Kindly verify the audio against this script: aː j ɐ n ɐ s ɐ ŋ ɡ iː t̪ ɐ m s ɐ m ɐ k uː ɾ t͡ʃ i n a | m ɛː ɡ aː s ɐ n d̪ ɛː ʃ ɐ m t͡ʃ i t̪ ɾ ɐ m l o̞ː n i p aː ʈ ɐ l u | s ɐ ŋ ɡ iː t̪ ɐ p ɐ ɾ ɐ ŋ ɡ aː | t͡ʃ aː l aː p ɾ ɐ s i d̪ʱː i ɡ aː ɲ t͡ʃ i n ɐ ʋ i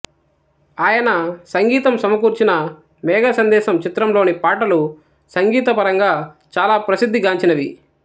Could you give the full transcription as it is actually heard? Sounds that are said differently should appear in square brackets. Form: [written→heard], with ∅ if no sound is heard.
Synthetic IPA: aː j ɐ n ɐ s ɐ ŋ ɡ iː t̪ ɐ m s ɐ m ɐ k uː ɾ t͡ʃ i n [a→ɐ] | m ɛː ɡ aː s ɐ n d̪ ɛː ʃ ɐ m t͡ʃ i t̪ ɾ ɐ m l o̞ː n i p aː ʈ ɐ l u | s ɐ ŋ ɡ iː t̪ ɐ p ɐ ɾ ɐ ŋ ɡ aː | t͡ʃ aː l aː p ɾ ɐ s i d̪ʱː i ɡ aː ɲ t͡ʃ i n ɐ ʋ i

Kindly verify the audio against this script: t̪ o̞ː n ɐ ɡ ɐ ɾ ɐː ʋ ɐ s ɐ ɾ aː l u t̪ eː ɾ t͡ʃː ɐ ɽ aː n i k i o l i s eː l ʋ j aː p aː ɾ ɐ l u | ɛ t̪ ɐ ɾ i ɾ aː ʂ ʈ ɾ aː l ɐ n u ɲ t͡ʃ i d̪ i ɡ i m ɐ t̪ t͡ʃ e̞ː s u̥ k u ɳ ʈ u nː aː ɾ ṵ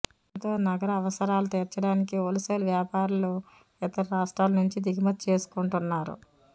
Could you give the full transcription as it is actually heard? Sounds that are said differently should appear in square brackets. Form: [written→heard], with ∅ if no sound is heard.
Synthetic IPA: t̪ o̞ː n ɐ ɡ ɐ ɾ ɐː ʋ ɐ s ɐ ɾ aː l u t̪ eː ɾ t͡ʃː ɐ ɽ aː n i k i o l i s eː l ʋ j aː p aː ɾ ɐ l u | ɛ t̪ ɐ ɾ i ɾ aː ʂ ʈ ɾ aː l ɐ n u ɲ t͡ʃ i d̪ i ɡ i m ɐ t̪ t͡ʃ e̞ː s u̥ k u ɳ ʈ u nː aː ɾ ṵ

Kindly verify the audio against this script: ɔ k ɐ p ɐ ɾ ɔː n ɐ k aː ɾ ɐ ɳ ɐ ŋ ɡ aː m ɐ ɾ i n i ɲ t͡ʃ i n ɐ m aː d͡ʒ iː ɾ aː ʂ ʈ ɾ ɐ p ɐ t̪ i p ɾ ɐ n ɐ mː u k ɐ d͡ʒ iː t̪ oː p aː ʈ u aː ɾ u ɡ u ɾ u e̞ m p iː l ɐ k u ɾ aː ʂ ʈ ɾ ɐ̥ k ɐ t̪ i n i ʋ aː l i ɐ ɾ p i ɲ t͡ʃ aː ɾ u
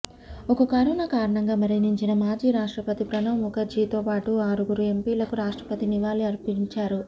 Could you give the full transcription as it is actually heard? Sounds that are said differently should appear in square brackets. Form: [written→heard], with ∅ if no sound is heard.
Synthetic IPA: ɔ k ɐ [p→k] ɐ ɾ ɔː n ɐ k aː ɾ ɐ ɳ ɐ ŋ ɡ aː m ɐ ɾ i n i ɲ t͡ʃ i n ɐ m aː d͡ʒ iː ɾ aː ʂ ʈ ɾ ɐ p ɐ t̪ i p ɾ ɐ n ɐ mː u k ɐ d͡ʒ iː t̪ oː p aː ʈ u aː ɾ u ɡ u ɾ u e̞ m p iː l ɐ k u ɾ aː ʂ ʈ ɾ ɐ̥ [k→p] ɐ t̪ i n i ʋ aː l i ɐ ɾ p i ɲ t͡ʃ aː ɾ u

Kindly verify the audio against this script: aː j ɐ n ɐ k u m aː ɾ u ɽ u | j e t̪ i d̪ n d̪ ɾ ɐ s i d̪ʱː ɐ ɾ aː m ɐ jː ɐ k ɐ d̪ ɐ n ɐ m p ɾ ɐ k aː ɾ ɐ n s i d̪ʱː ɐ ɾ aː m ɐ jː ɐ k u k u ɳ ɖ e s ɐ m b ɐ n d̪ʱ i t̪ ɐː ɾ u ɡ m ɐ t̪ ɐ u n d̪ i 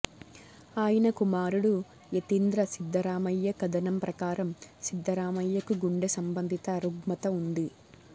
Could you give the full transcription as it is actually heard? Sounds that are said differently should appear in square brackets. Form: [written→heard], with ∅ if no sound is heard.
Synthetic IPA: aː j ɐ n ɐ k u m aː ɾ u ɽ u | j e t̪ i [d̪→∅] n d̪ ɾ ɐ s i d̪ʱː ɐ ɾ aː m ɐ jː ɐ k ɐ d̪ ɐ n ɐ m p ɾ ɐ k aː ɾ ɐ [n→m] s i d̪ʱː ɐ ɾ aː m ɐ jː ɐ k u [k→ɡ] u ɳ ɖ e s ɐ m b ɐ n d̪ʱ i t̪ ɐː ɾ u ɡ m ɐ t̪ ɐ u n d̪ i

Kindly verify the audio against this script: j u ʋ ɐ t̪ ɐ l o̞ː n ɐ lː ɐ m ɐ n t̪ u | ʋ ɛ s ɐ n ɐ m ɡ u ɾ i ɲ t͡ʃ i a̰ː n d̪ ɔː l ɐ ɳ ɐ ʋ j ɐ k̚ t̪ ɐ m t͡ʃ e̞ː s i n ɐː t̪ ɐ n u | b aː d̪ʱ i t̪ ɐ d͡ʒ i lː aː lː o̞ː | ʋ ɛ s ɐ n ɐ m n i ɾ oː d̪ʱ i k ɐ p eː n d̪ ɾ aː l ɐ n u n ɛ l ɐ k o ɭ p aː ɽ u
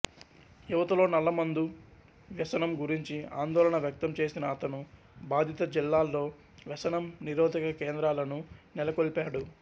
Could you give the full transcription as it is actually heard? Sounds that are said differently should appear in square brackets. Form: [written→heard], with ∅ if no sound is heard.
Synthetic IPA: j u ʋ ɐ t̪ ɐ l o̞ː n ɐ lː ɐ m ɐ n [t̪→d̪] u | ʋ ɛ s ɐ n ɐ m ɡ u ɾ i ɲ t͡ʃ i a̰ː n d̪ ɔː l ɐ ɳ ɐ ʋ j ɐ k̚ t̪ ɐ m t͡ʃ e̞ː s i n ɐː t̪ ɐ n u | b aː d̪ʱ i t̪ ɐ d͡ʒ i lː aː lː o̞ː | ʋ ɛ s ɐ n ɐ m n i ɾ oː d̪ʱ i k ɐ [p→k] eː n d̪ ɾ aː l ɐ n u n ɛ l ɐ k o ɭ p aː ɽ u

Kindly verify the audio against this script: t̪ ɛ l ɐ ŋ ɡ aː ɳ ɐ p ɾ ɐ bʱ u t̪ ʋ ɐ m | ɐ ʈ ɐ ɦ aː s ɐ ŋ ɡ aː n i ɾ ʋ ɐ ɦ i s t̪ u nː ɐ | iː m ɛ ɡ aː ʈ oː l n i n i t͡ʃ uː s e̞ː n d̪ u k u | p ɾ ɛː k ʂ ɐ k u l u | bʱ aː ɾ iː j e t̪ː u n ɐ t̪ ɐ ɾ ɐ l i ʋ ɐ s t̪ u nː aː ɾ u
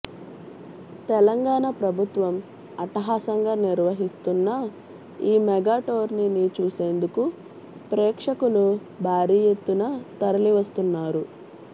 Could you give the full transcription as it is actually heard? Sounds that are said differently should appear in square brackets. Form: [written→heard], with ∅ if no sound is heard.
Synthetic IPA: t̪ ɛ l ɐ ŋ ɡ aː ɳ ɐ p ɾ ɐ bʱ u t̪ ʋ ɐ m | ɐ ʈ ɐ ɦ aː s ɐ ŋ ɡ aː n i ɾ ʋ ɐ ɦ i s t̪ u nː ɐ | iː m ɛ ɡ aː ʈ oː [l→ɾ] n i n i t͡ʃ uː s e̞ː n d̪ u k u | p ɾ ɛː k ʂ ɐ k u l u | bʱ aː ɾ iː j e t̪ː u n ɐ t̪ ɐ ɾ ɐ l i ʋ ɐ s t̪ u nː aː ɾ u

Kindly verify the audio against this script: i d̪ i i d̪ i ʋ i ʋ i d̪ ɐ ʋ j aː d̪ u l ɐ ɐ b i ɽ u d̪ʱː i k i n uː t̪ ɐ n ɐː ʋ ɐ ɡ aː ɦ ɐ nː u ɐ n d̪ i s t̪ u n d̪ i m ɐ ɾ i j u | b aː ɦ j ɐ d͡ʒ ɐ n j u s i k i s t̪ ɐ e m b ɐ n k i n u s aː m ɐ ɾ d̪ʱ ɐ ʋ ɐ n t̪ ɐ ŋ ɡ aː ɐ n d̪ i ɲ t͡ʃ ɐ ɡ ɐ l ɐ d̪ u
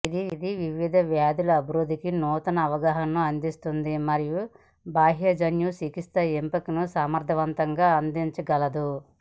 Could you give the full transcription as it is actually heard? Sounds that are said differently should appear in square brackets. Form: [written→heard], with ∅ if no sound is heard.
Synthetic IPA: i d̪ i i d̪ i ʋ i ʋ i d̪ ɐ ʋ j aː d̪ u l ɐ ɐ b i [ɽ→ɾ] u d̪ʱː i k i n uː t̪ ɐ n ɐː ʋ ɐ ɡ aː ɦ ɐ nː u ɐ n d̪ i s t̪ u n d̪ i m ɐ ɾ i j u | b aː ɦ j ɐ d͡ʒ ɐ n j u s i k i s t̪ ɐ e m [b→p] ɐ [n→∅] k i n u s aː m ɐ ɾ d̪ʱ ɐ ʋ ɐ n t̪ ɐ ŋ ɡ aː ɐ n d̪ i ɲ t͡ʃ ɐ ɡ ɐ l ɐ d̪ u

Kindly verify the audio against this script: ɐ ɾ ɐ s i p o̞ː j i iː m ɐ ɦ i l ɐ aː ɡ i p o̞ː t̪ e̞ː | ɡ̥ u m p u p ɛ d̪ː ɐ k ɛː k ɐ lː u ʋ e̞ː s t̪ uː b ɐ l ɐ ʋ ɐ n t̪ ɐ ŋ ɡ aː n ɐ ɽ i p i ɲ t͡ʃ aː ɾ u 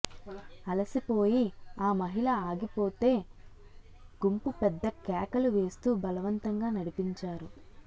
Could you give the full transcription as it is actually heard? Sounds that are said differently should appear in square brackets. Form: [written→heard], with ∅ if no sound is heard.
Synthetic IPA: ɐ [ɾ→l] ɐ s i p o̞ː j i [iː→aː] m ɐ ɦ i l ɐ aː ɡ i p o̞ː t̪ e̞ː | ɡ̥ u m p u p ɛ d̪ː ɐ k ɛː k ɐ [lː→l] u ʋ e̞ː s t̪ uː b ɐ l ɐ ʋ ɐ n t̪ ɐ ŋ ɡ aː n ɐ ɽ i p i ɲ t͡ʃ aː ɾ u

